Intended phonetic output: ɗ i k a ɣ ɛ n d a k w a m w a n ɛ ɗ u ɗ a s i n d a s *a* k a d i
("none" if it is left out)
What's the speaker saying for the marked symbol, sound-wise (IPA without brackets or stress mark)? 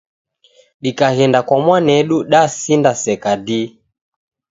ɛ